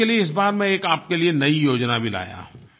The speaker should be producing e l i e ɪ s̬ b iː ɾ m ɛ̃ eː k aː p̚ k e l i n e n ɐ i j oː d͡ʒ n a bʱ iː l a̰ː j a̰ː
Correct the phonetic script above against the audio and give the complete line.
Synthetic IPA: e l i e ɪ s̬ b aː ɾ m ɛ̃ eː k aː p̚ k e l i e n ɐ i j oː d͡ʒ n a bʱ i l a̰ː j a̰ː